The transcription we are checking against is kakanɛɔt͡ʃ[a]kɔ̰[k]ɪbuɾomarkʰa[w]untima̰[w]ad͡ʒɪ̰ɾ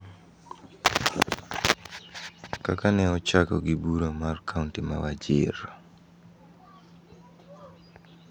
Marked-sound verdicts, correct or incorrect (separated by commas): correct, incorrect, incorrect, correct